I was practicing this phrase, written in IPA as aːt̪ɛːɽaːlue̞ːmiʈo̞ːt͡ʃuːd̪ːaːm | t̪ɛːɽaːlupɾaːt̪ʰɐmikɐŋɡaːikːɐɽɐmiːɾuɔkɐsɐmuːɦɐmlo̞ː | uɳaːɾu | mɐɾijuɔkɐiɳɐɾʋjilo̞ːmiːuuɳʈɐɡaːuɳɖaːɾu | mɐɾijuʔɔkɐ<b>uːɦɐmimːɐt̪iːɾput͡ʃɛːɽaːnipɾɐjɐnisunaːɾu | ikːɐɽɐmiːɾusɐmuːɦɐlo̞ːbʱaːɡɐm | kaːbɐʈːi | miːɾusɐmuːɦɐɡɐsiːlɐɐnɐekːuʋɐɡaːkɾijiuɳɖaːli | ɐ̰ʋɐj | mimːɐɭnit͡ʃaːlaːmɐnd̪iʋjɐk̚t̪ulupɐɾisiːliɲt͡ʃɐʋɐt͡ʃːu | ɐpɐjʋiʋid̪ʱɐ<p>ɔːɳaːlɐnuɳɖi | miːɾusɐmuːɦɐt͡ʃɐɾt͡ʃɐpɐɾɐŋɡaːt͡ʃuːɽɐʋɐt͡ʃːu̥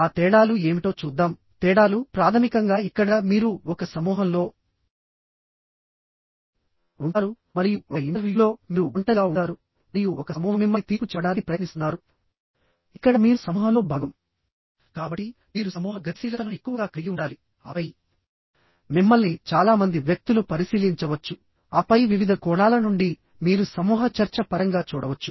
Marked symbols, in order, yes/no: no, no

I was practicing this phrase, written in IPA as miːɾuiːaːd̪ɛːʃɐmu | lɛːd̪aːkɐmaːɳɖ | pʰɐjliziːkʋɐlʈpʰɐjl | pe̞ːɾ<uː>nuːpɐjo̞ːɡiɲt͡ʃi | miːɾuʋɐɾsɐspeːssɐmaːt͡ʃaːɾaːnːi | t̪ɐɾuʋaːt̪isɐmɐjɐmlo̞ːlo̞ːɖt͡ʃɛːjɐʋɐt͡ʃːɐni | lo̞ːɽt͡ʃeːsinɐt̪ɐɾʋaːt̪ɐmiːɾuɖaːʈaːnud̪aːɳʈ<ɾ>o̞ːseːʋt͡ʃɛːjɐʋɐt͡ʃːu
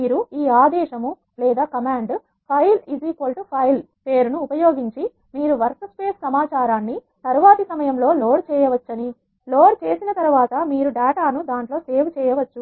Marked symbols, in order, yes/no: no, no

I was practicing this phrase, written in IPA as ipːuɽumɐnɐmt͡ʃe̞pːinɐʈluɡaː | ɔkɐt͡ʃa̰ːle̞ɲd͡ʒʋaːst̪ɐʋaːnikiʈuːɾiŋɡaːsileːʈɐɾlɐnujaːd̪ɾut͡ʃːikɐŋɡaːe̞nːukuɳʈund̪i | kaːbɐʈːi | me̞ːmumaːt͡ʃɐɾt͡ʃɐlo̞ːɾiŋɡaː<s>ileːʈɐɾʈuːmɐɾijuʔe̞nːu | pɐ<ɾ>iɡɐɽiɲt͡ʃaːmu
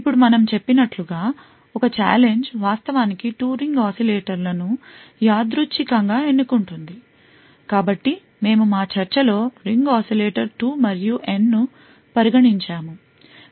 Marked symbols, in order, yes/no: yes, yes

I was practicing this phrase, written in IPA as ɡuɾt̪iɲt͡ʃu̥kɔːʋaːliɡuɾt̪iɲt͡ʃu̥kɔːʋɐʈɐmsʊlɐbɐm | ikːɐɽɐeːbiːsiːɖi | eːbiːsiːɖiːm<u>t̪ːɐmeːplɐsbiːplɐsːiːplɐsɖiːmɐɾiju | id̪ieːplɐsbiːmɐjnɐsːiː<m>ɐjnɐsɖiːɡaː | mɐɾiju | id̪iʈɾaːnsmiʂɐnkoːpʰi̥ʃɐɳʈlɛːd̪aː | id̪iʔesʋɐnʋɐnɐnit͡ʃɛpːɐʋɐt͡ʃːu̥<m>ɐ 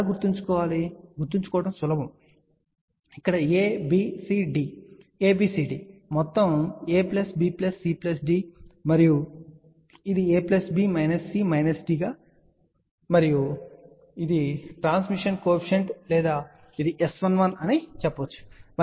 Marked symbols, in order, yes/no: no, yes, yes

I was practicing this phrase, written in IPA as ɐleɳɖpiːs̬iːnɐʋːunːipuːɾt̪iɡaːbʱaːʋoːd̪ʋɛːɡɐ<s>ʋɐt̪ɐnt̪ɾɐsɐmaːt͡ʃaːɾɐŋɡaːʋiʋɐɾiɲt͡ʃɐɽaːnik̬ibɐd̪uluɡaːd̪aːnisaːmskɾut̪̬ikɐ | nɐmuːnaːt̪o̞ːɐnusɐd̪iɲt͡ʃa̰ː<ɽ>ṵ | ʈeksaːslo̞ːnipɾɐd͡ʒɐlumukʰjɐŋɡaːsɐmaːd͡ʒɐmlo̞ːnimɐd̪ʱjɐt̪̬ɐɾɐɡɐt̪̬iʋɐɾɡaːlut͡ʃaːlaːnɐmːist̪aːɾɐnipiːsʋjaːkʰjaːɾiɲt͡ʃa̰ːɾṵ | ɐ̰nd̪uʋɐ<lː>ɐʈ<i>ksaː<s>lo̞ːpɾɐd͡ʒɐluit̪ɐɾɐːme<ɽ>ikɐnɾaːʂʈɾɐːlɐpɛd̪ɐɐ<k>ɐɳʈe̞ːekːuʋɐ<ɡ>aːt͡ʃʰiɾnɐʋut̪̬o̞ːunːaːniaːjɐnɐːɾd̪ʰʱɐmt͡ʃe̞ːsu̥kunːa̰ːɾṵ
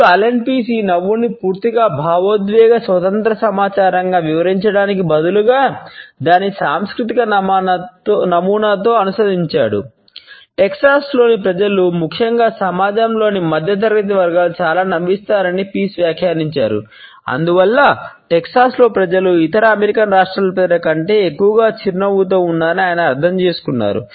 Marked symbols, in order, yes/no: yes, yes, yes, no, yes, no, yes, yes

